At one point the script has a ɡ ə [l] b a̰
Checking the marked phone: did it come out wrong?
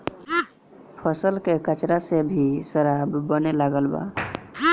no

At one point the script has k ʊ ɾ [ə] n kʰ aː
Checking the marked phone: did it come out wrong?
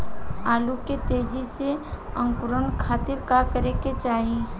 no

